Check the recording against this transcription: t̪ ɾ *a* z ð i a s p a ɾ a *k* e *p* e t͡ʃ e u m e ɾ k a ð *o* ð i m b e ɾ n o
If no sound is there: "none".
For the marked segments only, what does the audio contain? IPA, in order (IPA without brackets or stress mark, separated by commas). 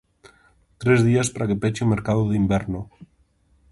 e, k, p, o